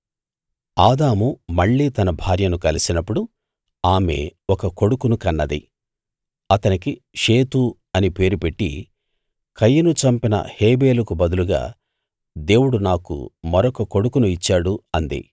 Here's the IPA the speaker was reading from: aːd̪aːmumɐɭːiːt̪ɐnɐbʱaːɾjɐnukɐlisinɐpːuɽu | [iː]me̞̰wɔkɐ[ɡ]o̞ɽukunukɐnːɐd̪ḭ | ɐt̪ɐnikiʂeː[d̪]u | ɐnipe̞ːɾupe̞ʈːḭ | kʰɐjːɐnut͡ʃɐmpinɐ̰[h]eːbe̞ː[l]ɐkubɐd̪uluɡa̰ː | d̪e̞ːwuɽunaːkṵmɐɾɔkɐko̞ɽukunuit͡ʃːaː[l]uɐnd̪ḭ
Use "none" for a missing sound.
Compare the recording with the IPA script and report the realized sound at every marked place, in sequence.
aː, k, t̪, h, l, ɽ

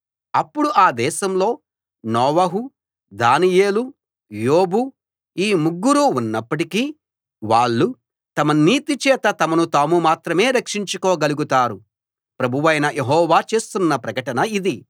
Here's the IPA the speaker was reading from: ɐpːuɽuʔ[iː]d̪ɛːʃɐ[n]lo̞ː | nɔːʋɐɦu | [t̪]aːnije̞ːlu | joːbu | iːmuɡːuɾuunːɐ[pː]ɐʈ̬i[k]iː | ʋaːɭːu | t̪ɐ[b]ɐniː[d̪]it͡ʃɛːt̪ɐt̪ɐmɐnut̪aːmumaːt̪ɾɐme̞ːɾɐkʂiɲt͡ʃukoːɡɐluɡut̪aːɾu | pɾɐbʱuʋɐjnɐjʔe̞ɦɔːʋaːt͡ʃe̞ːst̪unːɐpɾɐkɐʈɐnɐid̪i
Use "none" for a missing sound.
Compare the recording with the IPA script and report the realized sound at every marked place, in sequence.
aː, m, d̪, pː, k, m, t̪

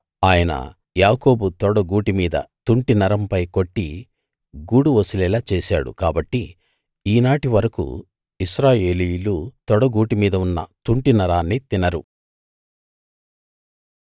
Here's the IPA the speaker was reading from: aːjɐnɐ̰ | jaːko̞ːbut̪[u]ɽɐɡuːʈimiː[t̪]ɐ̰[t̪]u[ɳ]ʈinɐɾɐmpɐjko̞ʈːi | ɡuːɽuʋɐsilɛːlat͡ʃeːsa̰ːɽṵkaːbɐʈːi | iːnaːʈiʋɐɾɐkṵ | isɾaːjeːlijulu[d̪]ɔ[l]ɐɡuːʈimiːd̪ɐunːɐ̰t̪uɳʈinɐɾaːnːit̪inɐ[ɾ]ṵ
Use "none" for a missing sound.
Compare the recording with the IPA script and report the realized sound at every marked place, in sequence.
ɔ, d̪, t̪, ɳ, t̪, ɽ, ɾ

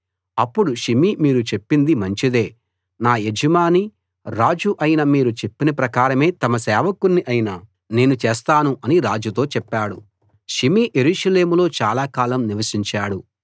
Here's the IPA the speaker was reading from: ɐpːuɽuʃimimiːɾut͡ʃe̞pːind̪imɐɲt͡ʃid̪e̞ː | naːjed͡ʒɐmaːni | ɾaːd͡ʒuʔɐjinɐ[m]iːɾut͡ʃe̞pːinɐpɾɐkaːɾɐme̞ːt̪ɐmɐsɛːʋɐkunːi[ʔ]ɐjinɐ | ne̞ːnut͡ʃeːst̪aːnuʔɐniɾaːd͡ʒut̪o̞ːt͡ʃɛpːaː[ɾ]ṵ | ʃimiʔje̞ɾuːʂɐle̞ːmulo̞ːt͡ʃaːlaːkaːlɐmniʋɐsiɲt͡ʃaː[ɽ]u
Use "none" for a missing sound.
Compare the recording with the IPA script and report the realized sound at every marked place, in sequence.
m, ʔ, ɽ, ɽ

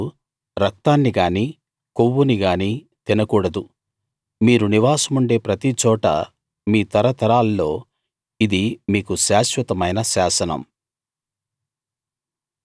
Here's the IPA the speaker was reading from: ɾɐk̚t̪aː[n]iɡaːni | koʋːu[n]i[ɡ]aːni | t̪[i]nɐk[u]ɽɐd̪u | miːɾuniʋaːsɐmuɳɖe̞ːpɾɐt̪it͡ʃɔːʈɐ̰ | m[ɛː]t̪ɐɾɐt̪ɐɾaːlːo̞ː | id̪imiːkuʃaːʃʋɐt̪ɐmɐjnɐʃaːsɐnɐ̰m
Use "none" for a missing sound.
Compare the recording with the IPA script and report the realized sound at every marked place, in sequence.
nː, n, ɡ, i, uː, iː

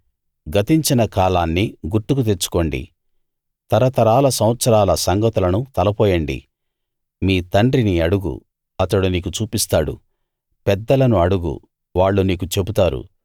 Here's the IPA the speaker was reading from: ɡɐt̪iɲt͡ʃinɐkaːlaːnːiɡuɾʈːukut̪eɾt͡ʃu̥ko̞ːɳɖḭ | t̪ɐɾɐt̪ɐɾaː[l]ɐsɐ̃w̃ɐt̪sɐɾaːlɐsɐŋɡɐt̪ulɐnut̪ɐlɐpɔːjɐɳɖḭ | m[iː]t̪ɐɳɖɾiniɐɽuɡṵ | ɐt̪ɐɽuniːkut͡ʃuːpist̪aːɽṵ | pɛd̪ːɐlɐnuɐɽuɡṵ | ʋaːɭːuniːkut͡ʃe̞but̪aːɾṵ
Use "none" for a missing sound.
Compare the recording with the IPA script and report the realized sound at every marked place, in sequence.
l, iː

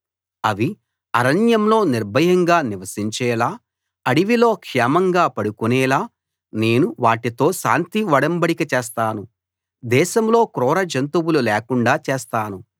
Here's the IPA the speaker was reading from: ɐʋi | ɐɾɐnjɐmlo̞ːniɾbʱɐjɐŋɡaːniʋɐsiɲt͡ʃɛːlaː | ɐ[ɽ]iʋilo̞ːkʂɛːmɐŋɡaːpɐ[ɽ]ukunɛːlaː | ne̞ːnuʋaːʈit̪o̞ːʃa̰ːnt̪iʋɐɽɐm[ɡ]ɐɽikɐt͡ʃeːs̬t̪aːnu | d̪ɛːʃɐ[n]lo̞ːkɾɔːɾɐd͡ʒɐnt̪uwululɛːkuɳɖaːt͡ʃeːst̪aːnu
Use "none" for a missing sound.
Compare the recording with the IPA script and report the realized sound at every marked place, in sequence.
ɽ, ɽ, b, m

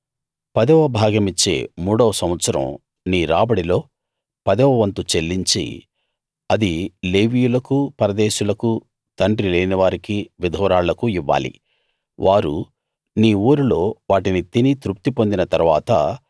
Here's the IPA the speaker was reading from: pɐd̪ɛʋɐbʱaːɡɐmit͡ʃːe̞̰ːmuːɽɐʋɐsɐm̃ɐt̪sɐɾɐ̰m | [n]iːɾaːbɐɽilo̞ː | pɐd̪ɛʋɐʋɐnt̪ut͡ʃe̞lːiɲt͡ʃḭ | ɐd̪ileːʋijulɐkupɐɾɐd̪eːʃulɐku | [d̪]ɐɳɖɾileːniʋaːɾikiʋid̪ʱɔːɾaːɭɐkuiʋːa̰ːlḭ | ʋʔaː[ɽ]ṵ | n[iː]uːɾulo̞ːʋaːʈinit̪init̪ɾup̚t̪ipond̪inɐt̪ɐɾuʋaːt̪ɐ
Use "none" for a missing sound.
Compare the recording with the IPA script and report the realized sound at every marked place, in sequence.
n, t̪, ɾ, iː

